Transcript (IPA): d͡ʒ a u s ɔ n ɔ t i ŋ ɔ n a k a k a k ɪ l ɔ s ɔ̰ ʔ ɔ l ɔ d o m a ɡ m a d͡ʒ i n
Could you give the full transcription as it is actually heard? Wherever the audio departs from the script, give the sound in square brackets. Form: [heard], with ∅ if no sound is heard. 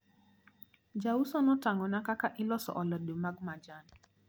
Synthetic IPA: d͡ʒ a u s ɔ n ɔ t [a] ŋ ɔ n a k a k a [ʔ] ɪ l ɔ s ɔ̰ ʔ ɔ l ɔ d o m a ɡ m a d͡ʒ [a] n